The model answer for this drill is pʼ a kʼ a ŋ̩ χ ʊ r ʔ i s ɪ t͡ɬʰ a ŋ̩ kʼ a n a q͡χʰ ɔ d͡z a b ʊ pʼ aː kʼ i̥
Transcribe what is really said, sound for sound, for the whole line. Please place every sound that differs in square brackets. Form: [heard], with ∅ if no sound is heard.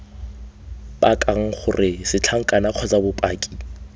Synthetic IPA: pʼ a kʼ a ŋ̩ χ ʊ r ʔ [ɪ] s ɪ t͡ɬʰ a ŋ̩ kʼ a n a q͡χʰ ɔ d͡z a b ʊ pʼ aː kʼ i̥